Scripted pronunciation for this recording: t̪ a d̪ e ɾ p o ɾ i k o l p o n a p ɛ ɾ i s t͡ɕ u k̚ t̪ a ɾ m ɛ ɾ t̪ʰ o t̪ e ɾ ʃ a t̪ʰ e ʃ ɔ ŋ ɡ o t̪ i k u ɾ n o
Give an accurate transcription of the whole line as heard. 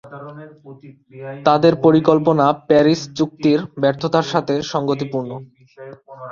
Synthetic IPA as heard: t̪ a d̪ e ɾ p o ɾ i k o l p o n a p ɛ ɾ i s t͡ɕ u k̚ t̪ i ɾ b ɛ ɾ t̪ʰ o t̪ a ɾ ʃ a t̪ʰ e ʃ ɔ ŋ ɡ o t̪ i p u ɾ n o